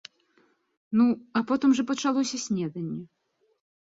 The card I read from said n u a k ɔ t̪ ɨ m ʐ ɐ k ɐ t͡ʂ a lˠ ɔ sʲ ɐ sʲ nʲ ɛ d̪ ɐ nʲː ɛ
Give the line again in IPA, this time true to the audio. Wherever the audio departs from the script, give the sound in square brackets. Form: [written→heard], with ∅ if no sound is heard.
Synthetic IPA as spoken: n u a [k→p] ɔ t̪ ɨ m ʐ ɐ [k→p] ɐ t͡ʂ a lˠ ɔ sʲ ɐ sʲ nʲ ɛ d̪ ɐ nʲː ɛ